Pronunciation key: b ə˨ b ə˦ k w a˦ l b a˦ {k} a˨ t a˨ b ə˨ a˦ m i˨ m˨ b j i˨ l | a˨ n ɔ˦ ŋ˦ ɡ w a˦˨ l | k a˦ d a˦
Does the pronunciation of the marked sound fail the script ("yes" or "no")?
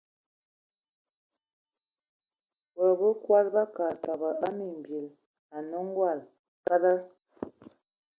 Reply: no